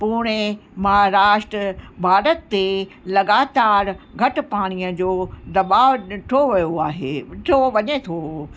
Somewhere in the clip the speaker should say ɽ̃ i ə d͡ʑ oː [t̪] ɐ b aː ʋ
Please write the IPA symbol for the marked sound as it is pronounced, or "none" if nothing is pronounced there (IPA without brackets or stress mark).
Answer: d̪